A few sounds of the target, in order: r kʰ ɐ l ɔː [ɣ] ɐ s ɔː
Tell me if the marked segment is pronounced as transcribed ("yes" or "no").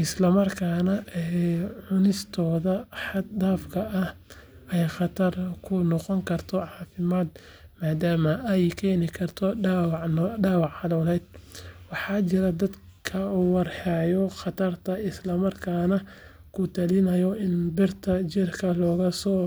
yes